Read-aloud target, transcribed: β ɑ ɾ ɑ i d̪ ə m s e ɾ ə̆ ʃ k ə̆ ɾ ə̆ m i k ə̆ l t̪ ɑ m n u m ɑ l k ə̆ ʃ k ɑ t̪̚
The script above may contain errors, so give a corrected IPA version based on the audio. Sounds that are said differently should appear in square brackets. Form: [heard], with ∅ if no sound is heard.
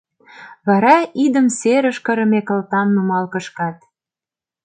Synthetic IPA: β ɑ ɾ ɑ i d̪ ə m s e ɾ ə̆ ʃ k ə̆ ɾ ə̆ m [e] k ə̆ l t̪ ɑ m n u m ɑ l k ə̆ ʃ k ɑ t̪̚